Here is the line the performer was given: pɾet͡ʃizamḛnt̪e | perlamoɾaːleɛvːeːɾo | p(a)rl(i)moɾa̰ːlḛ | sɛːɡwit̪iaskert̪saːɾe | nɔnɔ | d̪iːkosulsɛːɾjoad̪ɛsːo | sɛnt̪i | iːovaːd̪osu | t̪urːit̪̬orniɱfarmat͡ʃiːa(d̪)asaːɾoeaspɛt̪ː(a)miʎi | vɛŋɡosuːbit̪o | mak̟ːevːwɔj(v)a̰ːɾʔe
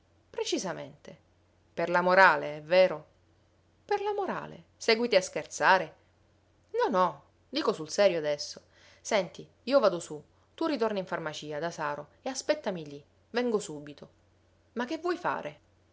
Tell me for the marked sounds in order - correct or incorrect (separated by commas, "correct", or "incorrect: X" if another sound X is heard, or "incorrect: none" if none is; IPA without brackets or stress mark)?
incorrect: e, incorrect: a, correct, correct, incorrect: f